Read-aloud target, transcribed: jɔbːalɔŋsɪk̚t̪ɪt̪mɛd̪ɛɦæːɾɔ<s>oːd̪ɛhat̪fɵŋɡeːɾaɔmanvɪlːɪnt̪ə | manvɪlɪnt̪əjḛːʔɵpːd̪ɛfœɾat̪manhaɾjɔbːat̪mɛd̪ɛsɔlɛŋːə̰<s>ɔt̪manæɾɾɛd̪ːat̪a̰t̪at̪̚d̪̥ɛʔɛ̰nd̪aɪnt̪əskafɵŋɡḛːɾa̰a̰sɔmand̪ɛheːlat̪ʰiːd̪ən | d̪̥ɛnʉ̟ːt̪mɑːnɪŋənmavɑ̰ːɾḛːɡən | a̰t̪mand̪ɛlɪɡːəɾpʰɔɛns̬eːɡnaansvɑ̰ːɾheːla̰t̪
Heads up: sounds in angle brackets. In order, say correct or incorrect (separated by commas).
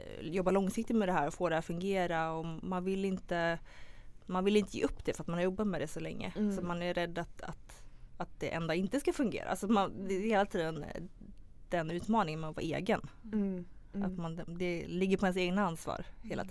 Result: incorrect, correct